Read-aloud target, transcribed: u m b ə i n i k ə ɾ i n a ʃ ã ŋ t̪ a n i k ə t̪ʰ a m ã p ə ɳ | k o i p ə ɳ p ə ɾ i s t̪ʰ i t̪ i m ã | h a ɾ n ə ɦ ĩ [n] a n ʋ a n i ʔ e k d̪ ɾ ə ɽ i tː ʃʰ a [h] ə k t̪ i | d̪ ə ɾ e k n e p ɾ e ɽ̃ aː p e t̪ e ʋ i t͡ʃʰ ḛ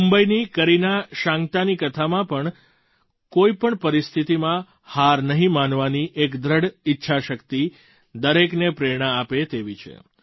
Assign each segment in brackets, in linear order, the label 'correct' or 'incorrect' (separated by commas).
incorrect, incorrect